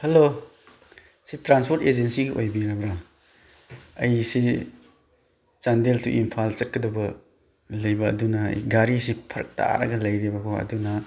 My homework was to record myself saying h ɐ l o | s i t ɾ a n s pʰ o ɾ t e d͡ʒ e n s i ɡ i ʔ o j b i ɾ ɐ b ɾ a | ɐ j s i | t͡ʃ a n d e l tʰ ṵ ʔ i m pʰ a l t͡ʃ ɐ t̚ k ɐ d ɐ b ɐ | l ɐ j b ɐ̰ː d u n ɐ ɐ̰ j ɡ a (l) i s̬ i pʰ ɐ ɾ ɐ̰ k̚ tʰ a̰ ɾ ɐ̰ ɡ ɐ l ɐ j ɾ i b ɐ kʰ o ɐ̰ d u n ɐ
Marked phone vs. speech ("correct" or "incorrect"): incorrect